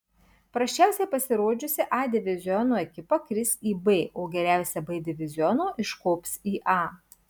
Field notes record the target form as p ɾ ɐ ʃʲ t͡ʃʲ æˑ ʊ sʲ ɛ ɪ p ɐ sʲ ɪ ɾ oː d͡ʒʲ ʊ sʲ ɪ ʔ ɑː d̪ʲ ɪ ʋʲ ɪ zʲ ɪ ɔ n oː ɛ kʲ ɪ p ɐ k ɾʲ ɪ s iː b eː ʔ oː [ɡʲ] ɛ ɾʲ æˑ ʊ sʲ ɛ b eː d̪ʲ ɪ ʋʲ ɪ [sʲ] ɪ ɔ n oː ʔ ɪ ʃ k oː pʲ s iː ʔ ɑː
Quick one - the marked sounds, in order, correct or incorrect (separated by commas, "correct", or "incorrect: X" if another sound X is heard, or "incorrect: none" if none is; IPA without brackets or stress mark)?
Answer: correct, incorrect: zʲ